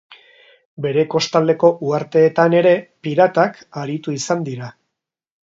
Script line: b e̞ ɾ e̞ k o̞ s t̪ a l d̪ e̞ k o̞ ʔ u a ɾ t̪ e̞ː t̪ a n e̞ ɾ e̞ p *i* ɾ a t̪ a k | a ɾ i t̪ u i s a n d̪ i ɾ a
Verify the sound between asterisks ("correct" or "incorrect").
correct